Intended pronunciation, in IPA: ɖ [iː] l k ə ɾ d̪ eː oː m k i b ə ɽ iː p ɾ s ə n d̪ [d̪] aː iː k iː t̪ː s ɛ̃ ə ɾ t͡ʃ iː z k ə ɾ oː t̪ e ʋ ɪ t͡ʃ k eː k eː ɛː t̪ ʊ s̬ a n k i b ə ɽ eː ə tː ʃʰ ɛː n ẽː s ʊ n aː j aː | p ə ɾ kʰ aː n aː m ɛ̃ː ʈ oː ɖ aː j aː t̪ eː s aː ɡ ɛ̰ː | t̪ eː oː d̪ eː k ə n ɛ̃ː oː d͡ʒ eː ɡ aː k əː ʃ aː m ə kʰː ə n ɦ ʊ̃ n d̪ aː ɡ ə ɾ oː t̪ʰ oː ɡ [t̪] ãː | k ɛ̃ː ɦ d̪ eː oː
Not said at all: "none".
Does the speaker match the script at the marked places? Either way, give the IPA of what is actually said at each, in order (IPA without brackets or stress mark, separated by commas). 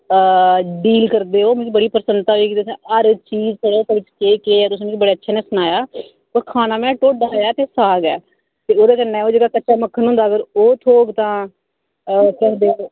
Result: iː, t̪, t̪